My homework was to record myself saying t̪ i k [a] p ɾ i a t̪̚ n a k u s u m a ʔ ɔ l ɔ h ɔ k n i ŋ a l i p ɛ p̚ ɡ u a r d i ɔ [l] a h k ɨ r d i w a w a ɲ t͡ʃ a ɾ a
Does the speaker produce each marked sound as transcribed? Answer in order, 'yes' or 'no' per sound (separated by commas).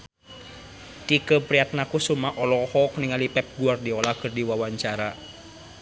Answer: no, yes